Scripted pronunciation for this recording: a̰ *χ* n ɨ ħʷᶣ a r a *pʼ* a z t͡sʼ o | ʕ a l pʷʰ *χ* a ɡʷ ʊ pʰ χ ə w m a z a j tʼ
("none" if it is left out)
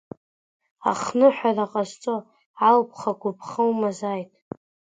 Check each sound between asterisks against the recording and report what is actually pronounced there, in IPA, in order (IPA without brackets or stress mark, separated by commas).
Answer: χ, qʼ, χ